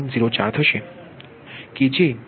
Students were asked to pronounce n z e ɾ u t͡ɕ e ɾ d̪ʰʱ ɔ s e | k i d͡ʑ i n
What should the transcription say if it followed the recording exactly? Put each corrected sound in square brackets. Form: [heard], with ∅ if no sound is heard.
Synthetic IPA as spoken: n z [i] ɾ [o] t͡ɕ [a] ɾ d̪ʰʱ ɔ [ʃ] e | k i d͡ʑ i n